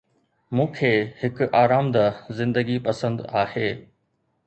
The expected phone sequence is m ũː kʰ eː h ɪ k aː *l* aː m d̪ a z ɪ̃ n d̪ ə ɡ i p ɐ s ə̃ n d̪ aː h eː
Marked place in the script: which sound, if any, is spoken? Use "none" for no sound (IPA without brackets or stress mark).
ɾ